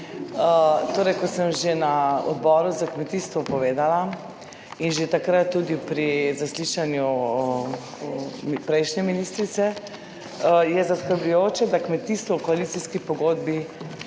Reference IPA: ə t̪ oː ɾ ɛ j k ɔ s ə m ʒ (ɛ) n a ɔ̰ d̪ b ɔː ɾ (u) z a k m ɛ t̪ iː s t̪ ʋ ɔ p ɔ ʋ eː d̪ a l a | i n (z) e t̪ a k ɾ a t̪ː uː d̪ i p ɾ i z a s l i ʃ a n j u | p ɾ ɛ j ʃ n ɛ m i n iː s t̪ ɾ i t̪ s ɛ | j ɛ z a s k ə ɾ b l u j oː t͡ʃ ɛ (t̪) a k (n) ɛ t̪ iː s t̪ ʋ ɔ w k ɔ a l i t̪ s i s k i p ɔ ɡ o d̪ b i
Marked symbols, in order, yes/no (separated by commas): no, yes, no, no, no